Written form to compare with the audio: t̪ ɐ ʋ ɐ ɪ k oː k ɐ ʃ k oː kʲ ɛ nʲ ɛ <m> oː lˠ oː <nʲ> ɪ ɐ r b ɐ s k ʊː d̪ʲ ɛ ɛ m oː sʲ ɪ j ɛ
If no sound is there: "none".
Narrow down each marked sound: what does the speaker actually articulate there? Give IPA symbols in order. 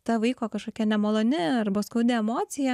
m, nʲ

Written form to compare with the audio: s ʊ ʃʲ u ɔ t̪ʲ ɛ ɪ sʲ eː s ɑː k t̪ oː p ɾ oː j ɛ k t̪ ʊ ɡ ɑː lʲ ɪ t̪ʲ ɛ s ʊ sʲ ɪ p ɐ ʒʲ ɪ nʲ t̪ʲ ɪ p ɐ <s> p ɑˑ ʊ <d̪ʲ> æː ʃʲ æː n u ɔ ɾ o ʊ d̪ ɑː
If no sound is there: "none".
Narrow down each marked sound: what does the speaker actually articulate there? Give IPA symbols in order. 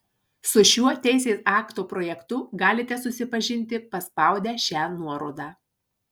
s, d̪ʲ

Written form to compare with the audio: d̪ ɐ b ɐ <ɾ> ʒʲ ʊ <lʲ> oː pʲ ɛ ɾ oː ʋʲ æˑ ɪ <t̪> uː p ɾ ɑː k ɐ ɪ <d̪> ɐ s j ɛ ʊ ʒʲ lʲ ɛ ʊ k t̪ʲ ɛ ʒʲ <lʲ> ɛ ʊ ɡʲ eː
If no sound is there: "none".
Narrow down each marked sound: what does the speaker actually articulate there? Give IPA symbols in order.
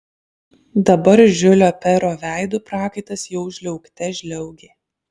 ɾ, lʲ, d̪, t̪, lʲ

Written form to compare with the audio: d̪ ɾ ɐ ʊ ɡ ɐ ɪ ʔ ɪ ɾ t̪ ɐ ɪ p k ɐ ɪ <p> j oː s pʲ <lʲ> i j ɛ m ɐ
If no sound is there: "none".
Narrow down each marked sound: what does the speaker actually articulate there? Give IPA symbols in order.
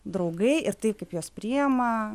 p, ɾʲ

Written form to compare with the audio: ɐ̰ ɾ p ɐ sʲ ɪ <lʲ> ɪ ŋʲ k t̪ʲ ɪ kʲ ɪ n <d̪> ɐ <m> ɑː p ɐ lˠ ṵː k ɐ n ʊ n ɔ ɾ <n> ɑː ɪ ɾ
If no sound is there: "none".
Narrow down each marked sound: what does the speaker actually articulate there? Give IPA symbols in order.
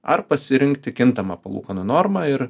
ɾʲ, t̪, m, m

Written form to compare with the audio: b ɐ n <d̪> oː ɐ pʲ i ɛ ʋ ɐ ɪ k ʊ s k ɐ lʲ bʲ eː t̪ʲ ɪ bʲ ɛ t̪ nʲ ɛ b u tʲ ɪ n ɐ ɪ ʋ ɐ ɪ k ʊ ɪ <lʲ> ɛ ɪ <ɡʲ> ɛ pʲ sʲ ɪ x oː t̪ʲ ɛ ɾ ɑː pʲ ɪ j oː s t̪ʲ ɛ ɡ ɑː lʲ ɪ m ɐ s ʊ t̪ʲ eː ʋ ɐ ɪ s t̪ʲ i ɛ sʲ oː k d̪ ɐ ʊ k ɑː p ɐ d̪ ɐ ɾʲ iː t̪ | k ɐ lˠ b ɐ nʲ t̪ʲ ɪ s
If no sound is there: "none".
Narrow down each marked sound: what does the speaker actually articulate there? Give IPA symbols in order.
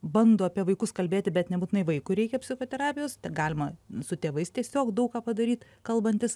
d̪, ɾʲ, kʲ

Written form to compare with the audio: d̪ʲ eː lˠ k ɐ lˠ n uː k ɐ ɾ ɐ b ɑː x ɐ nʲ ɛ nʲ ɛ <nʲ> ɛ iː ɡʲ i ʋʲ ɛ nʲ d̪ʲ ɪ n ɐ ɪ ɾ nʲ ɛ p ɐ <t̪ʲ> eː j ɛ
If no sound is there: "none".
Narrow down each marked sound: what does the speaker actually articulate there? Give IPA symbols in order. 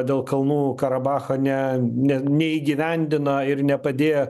nʲ, d̪ʲ

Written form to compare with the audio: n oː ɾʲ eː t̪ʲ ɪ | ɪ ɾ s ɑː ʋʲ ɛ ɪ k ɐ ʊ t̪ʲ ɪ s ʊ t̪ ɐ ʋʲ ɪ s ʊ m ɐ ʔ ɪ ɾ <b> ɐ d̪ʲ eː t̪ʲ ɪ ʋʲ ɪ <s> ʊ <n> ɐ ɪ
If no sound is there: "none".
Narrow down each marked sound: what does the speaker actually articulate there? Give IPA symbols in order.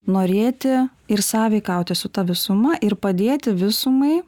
p, s, m

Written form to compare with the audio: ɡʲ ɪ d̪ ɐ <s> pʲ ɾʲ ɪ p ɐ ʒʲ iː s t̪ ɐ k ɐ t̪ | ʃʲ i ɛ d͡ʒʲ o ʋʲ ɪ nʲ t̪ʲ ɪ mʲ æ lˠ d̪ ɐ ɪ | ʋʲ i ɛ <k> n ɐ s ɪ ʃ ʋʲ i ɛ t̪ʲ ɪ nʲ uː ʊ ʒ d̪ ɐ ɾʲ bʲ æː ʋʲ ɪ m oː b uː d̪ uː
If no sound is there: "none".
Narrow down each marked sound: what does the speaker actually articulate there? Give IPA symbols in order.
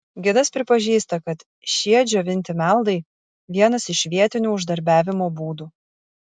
s, none

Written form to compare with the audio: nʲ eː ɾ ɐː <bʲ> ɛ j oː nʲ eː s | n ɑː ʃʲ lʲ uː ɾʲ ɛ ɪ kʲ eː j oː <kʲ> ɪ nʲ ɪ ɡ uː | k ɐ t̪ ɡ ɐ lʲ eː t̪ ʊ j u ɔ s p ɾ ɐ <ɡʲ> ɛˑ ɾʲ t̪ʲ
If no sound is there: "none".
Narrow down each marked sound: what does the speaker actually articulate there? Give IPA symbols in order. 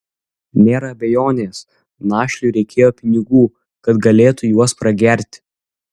bʲ, pʲ, ɡʲ

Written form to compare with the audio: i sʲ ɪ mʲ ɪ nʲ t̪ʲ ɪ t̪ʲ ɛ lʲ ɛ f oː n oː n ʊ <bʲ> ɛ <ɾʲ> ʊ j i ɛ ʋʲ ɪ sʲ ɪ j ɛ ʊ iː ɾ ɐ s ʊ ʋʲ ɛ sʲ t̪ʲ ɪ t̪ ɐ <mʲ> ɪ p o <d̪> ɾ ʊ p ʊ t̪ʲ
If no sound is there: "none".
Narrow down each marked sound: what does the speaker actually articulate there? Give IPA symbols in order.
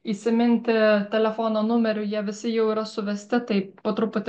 mʲ, ɾʲ, none, t̪

